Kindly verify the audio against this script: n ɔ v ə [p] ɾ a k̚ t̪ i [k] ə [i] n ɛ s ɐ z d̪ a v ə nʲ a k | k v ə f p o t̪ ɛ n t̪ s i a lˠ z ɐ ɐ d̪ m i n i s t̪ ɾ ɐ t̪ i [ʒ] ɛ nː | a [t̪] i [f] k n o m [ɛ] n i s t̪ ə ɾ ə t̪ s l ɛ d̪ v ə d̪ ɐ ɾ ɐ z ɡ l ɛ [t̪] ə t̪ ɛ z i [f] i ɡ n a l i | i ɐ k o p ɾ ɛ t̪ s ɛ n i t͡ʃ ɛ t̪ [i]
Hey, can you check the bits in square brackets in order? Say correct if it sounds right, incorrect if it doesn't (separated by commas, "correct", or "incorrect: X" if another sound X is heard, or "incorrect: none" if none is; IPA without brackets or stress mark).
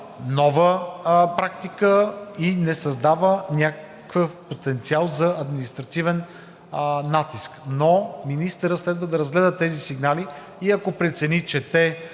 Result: correct, correct, correct, incorrect: v, correct, incorrect: s, incorrect: i, incorrect: d̪, incorrect: s, incorrect: ɛ